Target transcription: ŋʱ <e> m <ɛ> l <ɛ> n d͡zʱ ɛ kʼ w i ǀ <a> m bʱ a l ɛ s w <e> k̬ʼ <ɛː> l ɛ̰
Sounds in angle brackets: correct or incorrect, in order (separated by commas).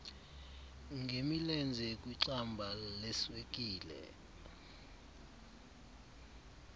correct, incorrect, correct, correct, correct, incorrect